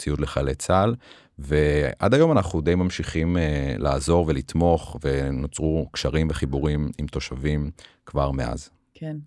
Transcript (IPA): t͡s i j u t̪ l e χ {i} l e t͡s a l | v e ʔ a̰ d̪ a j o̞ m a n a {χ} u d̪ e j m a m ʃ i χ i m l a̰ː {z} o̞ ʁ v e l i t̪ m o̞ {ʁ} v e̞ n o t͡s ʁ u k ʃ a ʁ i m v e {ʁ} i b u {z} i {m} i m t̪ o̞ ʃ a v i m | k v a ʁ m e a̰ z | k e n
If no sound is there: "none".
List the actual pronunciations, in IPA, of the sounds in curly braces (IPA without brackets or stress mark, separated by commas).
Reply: a, χ, z, χ, χ, ʁ, m